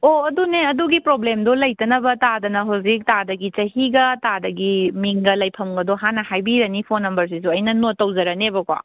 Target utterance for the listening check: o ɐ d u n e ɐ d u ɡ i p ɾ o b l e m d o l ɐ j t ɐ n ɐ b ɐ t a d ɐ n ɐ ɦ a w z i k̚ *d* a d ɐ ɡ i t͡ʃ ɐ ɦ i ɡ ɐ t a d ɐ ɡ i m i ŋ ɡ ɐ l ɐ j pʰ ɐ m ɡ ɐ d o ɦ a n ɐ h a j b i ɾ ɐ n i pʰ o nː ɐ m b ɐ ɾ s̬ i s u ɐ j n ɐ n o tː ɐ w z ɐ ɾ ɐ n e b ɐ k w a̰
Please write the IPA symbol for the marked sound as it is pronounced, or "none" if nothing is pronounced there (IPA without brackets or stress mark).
t